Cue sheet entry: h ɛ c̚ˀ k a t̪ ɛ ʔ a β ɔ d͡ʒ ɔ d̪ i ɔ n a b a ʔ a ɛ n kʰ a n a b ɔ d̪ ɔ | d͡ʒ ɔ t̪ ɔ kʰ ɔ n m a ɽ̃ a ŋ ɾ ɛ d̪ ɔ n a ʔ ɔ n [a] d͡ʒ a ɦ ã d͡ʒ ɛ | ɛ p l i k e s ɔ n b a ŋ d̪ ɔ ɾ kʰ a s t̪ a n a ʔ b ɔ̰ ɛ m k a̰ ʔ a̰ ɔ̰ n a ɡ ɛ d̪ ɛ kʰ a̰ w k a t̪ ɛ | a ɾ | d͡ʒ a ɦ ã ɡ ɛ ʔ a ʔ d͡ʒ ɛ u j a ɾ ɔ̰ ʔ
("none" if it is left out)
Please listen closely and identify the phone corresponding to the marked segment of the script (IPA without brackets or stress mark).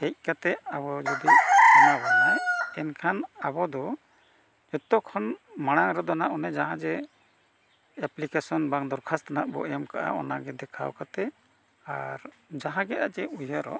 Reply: ɛ